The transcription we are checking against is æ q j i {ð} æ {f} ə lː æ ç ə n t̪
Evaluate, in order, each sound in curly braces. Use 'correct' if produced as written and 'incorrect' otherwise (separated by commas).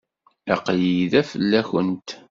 correct, correct